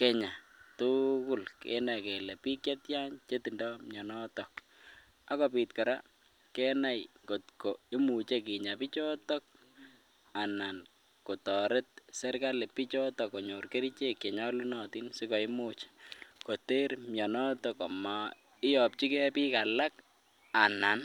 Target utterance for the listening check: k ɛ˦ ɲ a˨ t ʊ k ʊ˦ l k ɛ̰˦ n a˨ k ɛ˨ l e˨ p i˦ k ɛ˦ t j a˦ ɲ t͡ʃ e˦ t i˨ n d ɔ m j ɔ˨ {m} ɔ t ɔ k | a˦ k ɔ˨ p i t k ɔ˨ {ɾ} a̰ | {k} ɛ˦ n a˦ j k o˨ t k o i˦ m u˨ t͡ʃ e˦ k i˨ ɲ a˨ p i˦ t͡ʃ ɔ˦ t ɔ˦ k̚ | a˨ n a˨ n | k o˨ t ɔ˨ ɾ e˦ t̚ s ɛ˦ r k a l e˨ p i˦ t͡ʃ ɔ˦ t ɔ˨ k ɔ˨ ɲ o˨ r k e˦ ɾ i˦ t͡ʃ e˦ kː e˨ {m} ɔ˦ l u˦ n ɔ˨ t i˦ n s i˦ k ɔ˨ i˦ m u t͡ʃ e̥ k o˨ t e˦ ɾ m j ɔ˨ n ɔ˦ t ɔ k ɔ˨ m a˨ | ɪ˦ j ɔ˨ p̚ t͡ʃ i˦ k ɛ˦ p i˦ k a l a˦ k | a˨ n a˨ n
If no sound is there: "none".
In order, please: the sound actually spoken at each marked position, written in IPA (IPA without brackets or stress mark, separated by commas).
n, ɾ, k, ɲ